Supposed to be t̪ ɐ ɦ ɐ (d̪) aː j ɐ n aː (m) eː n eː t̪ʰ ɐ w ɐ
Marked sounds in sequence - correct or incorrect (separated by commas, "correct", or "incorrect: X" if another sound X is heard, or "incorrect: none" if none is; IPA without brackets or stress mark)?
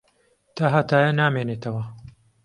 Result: incorrect: t̪, correct